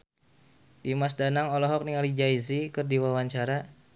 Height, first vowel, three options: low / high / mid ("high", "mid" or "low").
high